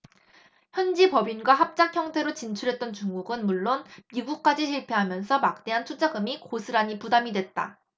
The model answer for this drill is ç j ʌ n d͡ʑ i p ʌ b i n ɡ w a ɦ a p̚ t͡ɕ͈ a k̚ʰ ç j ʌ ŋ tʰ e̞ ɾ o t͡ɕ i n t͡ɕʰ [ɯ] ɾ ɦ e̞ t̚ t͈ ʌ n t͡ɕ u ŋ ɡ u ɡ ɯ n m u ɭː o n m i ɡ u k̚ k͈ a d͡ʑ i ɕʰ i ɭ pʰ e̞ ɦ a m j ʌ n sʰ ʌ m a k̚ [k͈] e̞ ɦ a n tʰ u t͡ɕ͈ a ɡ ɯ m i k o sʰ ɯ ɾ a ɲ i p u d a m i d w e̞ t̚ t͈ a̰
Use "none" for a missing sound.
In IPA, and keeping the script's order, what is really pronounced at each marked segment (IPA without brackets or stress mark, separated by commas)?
u, t͈